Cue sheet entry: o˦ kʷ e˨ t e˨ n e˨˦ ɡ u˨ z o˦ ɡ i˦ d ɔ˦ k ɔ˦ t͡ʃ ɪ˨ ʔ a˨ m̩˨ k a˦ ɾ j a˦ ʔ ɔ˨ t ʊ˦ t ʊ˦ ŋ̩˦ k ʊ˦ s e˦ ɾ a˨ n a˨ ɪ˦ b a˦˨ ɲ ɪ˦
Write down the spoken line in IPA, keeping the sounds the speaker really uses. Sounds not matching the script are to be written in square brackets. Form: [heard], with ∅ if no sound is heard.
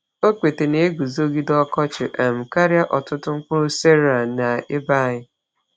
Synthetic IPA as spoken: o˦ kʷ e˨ t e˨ n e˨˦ ɡ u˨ z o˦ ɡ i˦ d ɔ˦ k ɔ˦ t͡ʃ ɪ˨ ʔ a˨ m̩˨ k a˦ ɾ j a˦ ʔ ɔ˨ t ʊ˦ t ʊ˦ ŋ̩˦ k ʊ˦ s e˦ ɾ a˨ n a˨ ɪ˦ b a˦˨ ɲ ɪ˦